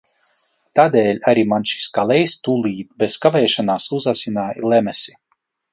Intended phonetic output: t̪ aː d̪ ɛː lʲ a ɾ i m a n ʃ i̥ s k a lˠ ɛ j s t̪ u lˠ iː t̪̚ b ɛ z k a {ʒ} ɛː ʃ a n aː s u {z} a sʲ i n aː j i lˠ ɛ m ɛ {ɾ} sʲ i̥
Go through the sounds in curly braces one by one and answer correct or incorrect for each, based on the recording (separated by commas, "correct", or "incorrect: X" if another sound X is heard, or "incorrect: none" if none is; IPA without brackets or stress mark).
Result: incorrect: v, correct, incorrect: none